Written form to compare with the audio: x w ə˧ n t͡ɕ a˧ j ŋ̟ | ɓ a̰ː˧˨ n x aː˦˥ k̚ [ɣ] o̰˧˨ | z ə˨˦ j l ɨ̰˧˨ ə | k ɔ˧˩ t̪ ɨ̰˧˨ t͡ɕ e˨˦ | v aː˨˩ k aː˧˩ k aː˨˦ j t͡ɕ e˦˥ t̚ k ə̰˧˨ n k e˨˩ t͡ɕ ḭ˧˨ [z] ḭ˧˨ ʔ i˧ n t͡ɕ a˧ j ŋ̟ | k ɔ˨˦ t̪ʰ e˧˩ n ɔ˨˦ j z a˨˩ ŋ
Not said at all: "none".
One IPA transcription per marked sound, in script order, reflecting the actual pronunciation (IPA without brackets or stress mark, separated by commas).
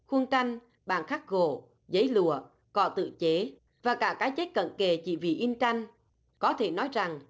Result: ɣ, v